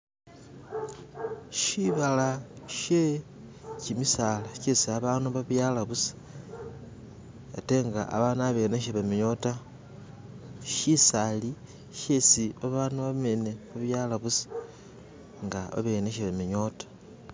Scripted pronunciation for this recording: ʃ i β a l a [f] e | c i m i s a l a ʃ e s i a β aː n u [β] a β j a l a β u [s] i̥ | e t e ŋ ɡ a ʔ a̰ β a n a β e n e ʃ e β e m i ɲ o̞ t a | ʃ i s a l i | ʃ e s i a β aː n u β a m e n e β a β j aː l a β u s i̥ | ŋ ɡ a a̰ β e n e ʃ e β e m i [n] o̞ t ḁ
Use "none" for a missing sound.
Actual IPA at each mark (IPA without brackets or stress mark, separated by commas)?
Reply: ʃ, β, s, ɲ